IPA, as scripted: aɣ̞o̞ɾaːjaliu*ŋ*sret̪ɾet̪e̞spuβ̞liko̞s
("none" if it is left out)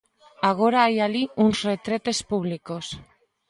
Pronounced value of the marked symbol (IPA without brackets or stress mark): n